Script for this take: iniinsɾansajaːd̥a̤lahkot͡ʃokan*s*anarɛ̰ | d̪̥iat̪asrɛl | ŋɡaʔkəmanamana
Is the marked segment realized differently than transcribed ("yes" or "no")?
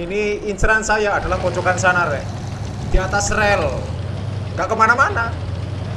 no